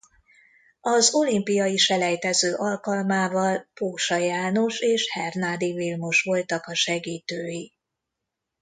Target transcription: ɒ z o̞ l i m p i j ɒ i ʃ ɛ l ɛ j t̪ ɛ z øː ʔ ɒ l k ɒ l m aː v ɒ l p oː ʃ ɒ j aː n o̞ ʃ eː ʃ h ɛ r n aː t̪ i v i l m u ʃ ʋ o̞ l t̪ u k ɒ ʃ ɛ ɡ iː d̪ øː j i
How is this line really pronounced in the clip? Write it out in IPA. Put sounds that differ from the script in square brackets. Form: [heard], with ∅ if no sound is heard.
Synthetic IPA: ɒ z o̞ l i m p i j ɒ i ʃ ɛ l ɛ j t̪ ɛ z øː ʔ ɒ l k ɒ l m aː v ɒ l p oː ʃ ɒ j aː n o̞ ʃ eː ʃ h ɛ r n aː [d̪] i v i l m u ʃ ʋ o̞ l t̪ [ɒ] k ɒ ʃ ɛ ɡ iː [t̪] øː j i